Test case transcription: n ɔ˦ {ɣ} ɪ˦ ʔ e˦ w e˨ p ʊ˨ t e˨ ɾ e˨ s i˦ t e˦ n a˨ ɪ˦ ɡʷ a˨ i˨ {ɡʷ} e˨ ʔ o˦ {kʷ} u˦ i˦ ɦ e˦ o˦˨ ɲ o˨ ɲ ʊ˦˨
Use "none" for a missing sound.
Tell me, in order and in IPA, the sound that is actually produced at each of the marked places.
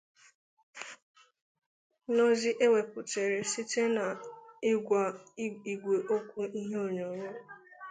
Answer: z, ɡʷ, kʷ

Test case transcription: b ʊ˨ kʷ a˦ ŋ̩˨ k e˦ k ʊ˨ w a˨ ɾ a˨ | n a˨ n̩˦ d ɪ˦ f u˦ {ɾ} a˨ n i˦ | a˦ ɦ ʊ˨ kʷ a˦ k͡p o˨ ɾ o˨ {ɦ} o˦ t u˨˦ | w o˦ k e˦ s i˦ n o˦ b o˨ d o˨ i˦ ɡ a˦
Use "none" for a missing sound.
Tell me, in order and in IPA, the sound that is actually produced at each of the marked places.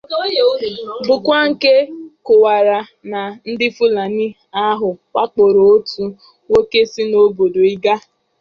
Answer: l, none

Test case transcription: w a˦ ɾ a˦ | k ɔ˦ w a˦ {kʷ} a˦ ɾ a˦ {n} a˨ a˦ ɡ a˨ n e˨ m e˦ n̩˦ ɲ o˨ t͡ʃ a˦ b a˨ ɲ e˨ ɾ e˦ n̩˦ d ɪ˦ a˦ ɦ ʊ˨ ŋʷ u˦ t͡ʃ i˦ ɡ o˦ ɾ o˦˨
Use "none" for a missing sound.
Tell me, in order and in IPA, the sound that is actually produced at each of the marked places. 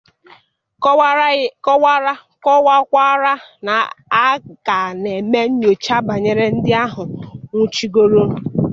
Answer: kʷ, n

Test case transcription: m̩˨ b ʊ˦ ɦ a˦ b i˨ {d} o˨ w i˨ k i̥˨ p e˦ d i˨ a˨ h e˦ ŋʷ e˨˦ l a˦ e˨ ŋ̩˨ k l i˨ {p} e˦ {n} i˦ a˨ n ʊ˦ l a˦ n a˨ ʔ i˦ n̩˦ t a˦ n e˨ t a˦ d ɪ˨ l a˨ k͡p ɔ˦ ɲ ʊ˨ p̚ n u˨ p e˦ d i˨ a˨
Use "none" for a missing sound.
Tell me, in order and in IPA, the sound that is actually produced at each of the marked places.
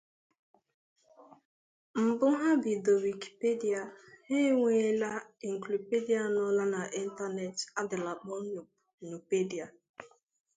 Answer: d, p, d

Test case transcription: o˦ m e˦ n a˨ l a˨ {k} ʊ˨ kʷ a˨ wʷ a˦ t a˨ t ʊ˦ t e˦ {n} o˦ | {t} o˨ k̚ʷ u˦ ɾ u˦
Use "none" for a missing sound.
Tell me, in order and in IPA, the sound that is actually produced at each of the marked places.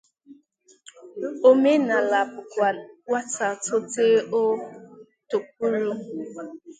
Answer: p, none, t

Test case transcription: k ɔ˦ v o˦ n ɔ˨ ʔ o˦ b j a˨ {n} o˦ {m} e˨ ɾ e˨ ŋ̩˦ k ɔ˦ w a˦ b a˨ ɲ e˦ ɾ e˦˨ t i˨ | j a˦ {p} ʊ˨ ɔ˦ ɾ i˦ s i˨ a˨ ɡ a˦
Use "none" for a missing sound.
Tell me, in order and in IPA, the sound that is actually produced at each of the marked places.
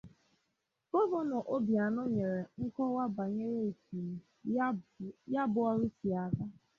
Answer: n, ɲ, b

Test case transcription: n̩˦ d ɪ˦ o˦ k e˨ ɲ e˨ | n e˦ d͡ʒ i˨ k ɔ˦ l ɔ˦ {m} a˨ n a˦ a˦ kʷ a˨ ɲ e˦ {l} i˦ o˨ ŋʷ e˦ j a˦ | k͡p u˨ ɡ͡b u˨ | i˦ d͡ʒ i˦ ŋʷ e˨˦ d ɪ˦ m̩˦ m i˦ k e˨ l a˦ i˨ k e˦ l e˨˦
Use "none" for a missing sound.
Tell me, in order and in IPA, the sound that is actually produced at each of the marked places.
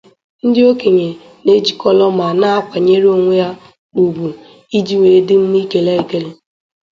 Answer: m, ɾ

